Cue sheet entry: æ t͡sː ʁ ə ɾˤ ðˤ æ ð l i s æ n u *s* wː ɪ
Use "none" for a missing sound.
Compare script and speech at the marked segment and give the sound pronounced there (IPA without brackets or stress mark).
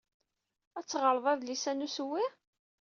s